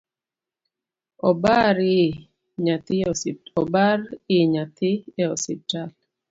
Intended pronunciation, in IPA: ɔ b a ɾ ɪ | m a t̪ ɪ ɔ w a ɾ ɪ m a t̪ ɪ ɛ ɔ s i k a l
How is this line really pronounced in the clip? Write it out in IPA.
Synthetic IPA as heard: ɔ b a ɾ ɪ | ɲ a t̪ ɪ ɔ b a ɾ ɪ ɲ a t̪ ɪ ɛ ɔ s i t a l